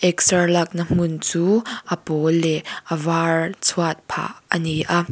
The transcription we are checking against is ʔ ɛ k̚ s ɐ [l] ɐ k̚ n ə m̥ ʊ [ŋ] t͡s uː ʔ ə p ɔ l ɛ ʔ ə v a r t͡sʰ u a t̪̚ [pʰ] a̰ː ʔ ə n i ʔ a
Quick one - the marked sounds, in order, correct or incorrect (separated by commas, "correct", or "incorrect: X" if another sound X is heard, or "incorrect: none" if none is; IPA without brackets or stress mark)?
correct, incorrect: n, correct